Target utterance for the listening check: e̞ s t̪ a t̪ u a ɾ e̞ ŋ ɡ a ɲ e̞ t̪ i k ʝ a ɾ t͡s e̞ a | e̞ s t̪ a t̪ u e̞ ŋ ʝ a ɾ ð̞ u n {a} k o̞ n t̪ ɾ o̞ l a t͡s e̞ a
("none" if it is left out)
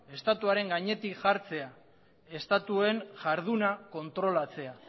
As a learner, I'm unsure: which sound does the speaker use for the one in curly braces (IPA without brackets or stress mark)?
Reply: a